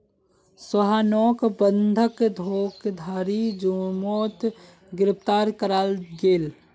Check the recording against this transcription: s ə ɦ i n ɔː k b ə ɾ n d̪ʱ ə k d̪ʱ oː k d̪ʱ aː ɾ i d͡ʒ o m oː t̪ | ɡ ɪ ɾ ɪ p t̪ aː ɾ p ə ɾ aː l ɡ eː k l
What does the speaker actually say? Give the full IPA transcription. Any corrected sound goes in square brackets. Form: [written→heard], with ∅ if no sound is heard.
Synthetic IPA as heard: s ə ɦ [i→a] n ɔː k b ə [ɾ→∅] n d̪ʱ ə k d̪ʱ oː k d̪ʱ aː ɾ i d͡ʒ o m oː t̪ | ɡ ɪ ɾ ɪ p t̪ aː ɾ [p→k] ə ɾ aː l ɡ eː [k→∅] l